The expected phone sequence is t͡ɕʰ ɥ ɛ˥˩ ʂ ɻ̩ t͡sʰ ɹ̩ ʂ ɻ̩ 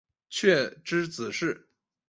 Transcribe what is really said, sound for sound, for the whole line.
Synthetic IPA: t͡ɕʰ ɥ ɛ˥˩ ʈ͡ʂ ɻ̩ t͡s ɹ̩ ʂ ɻ̩